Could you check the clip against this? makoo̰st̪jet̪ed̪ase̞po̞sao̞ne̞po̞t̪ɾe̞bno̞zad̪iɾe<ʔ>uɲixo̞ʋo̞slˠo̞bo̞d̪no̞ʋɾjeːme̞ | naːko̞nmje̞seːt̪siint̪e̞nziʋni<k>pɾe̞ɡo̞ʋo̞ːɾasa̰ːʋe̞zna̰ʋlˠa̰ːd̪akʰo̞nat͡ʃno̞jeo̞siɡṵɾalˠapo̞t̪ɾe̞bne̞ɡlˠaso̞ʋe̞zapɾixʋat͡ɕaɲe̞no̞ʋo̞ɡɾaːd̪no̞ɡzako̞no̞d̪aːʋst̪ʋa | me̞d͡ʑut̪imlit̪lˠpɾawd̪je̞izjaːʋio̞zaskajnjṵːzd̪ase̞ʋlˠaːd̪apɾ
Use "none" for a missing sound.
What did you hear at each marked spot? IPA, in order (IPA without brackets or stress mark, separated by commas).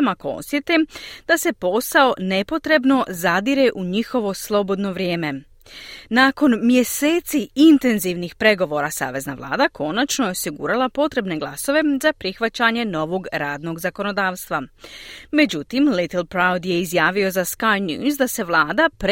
ʔ, x